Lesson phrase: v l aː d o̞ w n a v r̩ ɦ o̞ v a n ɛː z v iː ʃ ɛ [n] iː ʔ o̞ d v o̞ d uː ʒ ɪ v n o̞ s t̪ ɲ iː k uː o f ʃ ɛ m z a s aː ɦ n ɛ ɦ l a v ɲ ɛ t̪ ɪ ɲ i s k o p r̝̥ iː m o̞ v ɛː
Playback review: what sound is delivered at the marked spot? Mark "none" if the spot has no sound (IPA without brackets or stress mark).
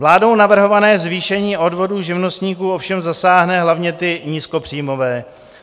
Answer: ɲ